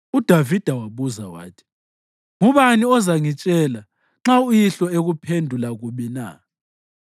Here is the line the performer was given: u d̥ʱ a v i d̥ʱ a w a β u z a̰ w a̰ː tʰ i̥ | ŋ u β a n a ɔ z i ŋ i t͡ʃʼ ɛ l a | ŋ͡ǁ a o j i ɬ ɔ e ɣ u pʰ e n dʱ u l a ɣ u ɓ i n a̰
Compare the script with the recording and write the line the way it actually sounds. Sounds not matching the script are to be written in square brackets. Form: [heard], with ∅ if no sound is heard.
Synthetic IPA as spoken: u d̥ʱ a v i d̥ʱ a w a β u z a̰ w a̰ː tʰ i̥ | ŋ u β a n [i] ɔ z [a] ŋ i t͡ʃʼ ɛ l a | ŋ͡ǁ a [u] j i ɬ ɔ e ɣ u pʰ e n dʱ u l a ɣ u ɓ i n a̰

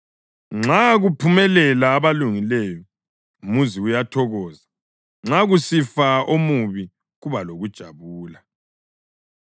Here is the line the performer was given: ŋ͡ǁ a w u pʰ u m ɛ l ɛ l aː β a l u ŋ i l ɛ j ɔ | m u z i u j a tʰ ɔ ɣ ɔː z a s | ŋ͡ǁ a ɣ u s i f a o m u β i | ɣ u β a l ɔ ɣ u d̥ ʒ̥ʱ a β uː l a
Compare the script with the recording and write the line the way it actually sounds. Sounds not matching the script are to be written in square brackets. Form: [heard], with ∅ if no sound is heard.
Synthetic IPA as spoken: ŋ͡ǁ a [ɣ] u pʰ u m ɛ l ɛ l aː β a l u ŋ i l ɛ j ɔ | m u z i u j a tʰ ɔ ɣ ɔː z a [∅] | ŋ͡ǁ a ɣ u s i f a o m u β i | ɣ u β a l [o] ɣ u d̥ ʒ̥ʱ a β uː l a

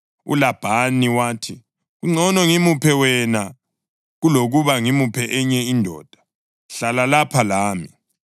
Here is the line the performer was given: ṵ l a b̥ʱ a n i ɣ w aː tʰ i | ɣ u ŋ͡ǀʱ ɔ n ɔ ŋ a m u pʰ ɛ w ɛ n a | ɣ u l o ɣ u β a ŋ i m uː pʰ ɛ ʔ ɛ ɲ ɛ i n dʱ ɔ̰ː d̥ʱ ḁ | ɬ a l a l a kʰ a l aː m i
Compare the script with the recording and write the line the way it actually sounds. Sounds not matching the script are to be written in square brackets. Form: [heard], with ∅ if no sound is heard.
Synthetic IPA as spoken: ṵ l a b̥ʱ a n i [∅] w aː tʰ i | ɣ u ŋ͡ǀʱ ɔ n ɔ ŋ [i] m u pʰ ɛ w ɛ n a | ɣ u l o ɣ u β a ŋ i m [u] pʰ ɛ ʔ ɛ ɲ ɛ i n dʱ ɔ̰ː d̥ʱ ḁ | ɬ a l a l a [pʰ] a l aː m i

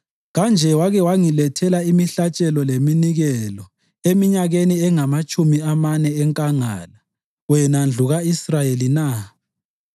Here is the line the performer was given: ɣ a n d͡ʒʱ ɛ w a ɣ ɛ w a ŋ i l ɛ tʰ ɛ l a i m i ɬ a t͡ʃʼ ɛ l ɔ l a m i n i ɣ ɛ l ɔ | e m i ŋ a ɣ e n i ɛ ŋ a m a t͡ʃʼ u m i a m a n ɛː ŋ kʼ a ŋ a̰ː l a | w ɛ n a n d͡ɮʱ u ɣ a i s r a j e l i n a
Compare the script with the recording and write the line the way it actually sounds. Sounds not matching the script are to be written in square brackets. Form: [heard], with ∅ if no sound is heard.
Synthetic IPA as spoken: ɣ a n d͡ʒʱ ɛ w a ɣ ɛ w a ŋ i l ɛ tʰ ɛ l a i m i ɬ a t͡ʃʼ ɛ l ɔ l [e] m i n i ɣ ɛ l ɔ | e m i [ɲ] a ɣ e n i ɛ ŋ a m a t͡ʃʼ u m i a m a n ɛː ŋ kʼ a ŋ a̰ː l a | w ɛ n a n d͡ɮʱ u ɣ a i s r a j e l i n a

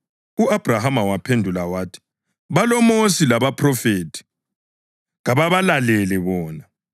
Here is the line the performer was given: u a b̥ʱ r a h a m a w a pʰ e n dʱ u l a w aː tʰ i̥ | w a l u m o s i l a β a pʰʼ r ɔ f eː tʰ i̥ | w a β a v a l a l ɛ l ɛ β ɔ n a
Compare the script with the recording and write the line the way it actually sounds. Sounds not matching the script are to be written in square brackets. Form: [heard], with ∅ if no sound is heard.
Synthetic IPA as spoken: u a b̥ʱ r a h a m a w a pʰ e n dʱ u l a w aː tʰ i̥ | [β] a l [ɔ] m o s i l a β a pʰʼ r ɔ f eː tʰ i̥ | [ɣ] a β a [β] a l a l ɛ l ɛ β [ɔː] n a

